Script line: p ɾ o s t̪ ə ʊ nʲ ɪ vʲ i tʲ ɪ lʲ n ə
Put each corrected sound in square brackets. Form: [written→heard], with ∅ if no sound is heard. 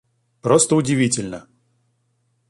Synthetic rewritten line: p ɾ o s t̪ ə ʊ [nʲ→dʲ] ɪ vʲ i tʲ ɪ lʲ n ə